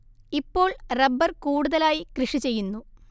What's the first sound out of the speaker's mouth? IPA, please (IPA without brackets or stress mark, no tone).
i